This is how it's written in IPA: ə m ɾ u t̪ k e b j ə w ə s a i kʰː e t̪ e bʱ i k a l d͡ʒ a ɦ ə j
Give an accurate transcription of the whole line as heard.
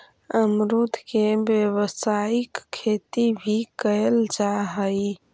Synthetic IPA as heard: ə m ɾ u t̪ k e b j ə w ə s a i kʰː e t̪ i bʱ i k ə l d͡ʒ a ɦ ə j